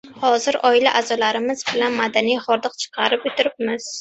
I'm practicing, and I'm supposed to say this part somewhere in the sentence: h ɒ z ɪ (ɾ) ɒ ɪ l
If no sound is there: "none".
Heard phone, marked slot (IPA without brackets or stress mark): ɾ